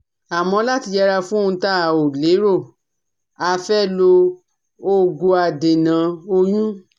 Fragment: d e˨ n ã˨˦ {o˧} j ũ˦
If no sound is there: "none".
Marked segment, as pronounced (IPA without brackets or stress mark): o˧